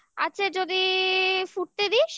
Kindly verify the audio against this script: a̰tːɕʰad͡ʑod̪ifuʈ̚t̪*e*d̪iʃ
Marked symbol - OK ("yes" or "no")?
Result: yes